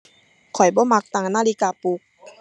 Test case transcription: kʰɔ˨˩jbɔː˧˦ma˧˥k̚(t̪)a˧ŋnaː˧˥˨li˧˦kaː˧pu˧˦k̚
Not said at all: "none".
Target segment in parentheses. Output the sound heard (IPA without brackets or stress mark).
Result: t̪